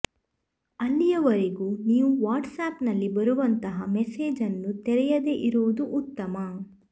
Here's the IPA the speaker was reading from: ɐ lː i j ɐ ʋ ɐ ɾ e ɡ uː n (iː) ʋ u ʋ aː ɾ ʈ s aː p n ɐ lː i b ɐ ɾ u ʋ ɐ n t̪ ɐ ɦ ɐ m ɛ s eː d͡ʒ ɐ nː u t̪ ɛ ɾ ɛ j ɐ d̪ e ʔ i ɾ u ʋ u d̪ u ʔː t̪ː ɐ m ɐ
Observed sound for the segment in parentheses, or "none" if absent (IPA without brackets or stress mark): iː